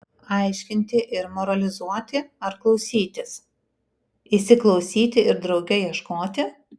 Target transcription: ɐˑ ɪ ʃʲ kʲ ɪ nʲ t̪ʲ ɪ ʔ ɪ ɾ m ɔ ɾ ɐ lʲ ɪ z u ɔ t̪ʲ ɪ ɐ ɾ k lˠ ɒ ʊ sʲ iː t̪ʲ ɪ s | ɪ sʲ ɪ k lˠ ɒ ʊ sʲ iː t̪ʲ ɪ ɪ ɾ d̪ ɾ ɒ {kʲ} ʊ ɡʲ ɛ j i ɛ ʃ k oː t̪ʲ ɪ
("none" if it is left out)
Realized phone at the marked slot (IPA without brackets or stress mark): none